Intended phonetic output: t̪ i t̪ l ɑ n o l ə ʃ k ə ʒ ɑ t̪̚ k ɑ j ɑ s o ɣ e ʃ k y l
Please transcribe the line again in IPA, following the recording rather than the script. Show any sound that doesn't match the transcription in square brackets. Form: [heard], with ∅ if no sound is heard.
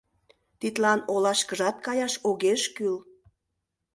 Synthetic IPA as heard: t̪ i t̪ l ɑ n o l [ɑ] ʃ k ə ʒ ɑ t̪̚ k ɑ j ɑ [ʃ] o ɣ e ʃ k y l